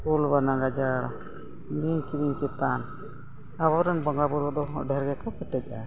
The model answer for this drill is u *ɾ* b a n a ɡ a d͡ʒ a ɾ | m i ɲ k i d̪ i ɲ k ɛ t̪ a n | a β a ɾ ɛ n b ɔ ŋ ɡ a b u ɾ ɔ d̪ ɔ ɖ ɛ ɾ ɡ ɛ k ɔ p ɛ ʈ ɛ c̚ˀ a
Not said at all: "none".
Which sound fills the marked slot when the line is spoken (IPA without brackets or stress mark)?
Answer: l